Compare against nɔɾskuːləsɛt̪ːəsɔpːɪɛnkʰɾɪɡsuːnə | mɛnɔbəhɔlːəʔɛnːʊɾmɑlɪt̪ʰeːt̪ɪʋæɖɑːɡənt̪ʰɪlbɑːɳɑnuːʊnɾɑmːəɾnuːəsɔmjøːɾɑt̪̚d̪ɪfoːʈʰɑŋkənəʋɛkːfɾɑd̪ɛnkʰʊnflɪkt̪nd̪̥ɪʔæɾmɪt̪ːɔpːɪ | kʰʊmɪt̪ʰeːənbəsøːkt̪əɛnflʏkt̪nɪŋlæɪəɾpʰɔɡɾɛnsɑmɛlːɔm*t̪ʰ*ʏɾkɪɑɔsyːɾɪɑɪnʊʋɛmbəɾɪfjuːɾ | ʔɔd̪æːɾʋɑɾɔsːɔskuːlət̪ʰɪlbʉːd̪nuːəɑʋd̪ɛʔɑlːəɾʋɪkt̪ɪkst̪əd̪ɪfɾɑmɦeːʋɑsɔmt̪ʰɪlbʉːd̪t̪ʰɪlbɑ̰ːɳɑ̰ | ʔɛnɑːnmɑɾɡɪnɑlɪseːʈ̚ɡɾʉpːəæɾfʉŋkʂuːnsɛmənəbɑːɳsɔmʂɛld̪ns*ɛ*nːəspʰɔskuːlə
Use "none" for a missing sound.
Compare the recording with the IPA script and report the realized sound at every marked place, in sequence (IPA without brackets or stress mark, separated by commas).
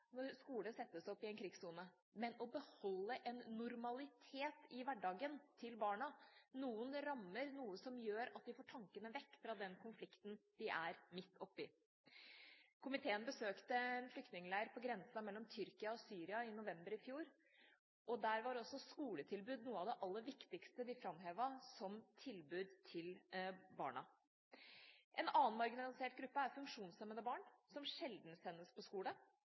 t̪ʰ, ɛ